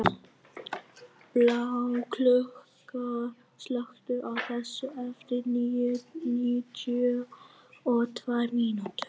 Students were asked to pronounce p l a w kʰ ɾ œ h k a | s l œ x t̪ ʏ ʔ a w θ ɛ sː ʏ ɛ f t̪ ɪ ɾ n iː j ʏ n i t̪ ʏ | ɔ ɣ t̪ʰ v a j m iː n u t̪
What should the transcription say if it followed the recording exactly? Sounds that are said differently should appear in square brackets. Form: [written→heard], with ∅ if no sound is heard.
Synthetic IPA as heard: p l a w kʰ [ɾ→l] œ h k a | s l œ x t̪ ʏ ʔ a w θ ɛ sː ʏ ɛ f t̪ ɪ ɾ n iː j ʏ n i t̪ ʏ | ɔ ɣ t̪ʰ v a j m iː n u t̪